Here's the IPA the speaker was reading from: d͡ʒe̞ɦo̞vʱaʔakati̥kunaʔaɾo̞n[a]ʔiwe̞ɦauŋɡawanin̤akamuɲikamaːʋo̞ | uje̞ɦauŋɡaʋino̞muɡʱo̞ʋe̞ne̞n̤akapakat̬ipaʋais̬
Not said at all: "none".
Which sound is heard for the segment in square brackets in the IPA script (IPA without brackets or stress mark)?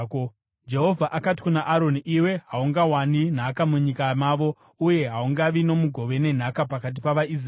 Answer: i